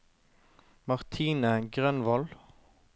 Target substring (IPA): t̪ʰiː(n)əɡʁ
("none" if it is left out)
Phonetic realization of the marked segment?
n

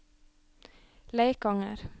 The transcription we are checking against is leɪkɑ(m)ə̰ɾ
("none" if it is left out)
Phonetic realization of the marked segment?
ŋ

